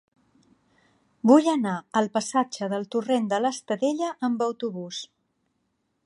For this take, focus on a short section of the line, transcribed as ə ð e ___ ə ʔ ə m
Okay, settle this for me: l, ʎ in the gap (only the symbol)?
ʎ